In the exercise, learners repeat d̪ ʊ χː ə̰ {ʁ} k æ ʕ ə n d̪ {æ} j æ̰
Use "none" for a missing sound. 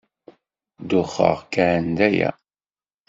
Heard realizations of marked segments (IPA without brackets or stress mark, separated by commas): ʁ, æ